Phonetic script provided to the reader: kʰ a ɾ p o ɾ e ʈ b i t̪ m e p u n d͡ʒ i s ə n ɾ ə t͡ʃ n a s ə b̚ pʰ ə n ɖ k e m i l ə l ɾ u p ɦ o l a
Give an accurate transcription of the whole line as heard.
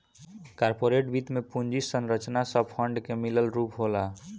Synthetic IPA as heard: k a ɾ p o ɾ e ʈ b i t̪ m e p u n d͡ʒ i s ə n ɾ ə t͡ʃ n a s ə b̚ pʰ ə ɳ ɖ k e m i l ə l ɾ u p ɦ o l a